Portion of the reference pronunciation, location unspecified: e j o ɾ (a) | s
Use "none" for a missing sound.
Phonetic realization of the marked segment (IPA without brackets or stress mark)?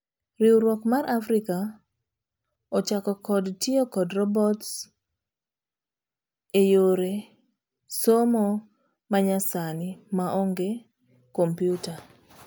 e